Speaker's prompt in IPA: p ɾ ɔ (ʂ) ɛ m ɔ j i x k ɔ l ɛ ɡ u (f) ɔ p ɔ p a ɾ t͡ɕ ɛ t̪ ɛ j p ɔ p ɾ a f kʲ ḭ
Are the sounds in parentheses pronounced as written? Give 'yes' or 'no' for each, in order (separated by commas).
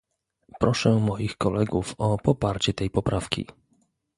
yes, yes